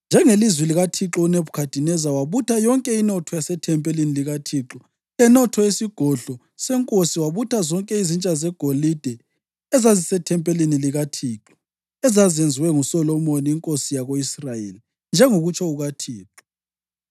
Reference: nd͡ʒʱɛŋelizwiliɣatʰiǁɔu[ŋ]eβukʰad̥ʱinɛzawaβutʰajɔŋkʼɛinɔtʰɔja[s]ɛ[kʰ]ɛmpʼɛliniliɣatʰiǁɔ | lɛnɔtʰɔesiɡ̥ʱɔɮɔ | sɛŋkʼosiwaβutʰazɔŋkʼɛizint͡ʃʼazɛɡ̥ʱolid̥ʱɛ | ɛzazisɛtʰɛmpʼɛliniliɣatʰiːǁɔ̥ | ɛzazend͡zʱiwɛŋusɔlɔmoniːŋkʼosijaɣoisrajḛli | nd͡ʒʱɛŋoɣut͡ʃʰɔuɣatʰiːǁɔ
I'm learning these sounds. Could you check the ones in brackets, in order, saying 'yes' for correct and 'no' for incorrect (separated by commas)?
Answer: no, yes, no